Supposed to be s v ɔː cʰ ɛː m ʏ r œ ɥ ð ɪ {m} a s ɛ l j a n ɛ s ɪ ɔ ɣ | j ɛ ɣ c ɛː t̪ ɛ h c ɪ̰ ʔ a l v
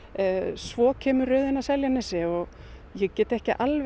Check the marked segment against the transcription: incorrect: n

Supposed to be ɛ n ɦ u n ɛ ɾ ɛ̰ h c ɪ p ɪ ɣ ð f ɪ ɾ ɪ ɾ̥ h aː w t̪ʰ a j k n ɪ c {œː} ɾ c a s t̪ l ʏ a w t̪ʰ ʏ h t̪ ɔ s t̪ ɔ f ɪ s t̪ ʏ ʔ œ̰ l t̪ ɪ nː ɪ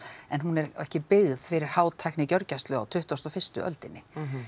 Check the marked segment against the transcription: incorrect: œ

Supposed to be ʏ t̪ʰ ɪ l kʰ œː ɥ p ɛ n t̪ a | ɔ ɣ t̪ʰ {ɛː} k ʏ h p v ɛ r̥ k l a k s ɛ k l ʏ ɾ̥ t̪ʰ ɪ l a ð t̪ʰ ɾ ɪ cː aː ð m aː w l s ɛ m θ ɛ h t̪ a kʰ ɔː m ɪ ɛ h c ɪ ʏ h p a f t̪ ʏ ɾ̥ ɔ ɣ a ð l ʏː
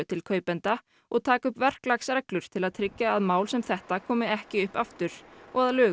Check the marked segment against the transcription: incorrect: aː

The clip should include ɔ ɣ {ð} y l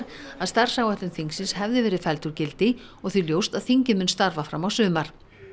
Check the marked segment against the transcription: incorrect: θ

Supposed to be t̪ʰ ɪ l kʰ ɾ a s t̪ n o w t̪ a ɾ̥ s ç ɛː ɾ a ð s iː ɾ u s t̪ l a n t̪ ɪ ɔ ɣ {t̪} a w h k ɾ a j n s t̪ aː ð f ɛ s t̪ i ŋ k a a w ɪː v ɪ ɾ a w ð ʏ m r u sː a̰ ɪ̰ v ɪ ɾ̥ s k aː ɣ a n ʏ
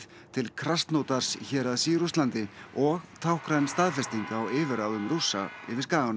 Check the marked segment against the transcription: incorrect: t̪ʰ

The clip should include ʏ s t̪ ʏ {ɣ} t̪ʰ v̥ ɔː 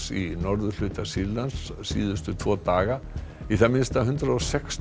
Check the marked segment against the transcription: incorrect: none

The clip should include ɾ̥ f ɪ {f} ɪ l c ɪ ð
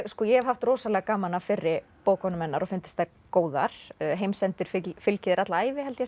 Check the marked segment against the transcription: correct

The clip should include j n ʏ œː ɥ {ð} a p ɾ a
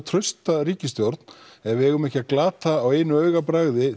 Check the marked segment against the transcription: incorrect: ɣ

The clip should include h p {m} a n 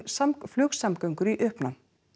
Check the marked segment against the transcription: incorrect: n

